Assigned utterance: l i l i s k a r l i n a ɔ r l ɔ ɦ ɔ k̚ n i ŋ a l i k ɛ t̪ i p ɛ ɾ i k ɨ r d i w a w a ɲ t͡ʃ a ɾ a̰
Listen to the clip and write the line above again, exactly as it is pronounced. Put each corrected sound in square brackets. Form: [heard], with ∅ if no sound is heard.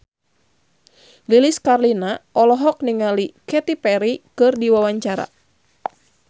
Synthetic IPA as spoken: l i l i s k a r l i n a ɔ [∅] l ɔ ɦ ɔ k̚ n i ŋ a l i k ɛ t̪ i p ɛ ɾ i k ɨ r d i w a w a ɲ t͡ʃ a ɾ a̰